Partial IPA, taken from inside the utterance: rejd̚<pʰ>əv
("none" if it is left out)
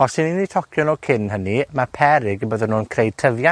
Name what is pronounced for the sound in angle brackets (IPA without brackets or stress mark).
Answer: tʰ